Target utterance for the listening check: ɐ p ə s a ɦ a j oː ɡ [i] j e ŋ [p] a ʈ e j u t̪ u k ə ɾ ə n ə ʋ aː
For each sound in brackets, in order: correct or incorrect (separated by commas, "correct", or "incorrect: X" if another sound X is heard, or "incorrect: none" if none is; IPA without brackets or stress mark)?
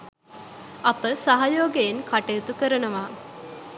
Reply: incorrect: e, incorrect: k